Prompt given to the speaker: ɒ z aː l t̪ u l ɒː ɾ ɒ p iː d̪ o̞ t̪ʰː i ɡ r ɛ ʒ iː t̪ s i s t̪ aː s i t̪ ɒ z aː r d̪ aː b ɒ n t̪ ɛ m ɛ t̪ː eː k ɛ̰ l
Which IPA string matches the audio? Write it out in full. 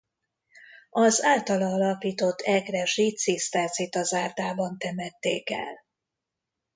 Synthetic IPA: ɒ z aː l t̪ ɒ l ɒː l ɒ p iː t̪ o̞ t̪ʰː ɛ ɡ r ɛ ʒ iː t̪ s i s t̪ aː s i t̪ ɒ z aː r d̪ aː b ɒ n t̪ ɛ m ɛ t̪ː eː k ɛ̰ l